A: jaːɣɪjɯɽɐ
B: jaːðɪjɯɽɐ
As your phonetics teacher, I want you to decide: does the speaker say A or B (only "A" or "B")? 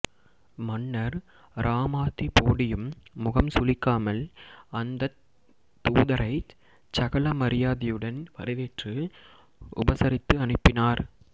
B